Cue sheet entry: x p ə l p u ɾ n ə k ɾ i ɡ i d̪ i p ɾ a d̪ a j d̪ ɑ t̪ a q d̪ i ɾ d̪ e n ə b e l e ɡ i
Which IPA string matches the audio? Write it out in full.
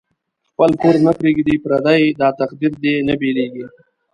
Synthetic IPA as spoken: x p ə l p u ɾ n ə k ɾ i ɡ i d̪ i p ɾ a d̪ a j d̪ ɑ t̪ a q d̪ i ɾ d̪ e n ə b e l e ɡ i